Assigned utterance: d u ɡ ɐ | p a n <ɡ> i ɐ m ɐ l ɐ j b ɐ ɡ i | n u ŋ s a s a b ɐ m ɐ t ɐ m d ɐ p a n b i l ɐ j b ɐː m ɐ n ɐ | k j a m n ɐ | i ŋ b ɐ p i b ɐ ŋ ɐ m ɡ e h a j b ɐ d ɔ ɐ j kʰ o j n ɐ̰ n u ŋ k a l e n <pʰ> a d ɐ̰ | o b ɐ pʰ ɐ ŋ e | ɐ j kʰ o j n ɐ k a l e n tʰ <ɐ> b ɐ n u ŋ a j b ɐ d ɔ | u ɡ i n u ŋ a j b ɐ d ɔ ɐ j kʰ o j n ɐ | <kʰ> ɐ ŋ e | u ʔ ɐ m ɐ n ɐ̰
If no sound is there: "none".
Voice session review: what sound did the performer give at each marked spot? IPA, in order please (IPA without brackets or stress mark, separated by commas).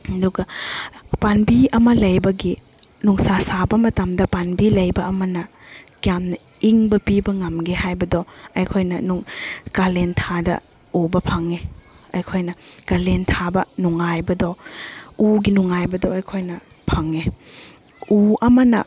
b, tʰ, a, pʰ